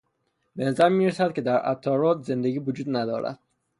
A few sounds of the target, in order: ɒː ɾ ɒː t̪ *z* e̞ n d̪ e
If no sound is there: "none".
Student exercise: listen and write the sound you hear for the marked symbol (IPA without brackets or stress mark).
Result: z